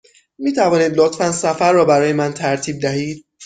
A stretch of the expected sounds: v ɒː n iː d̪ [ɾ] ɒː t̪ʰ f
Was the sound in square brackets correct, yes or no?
no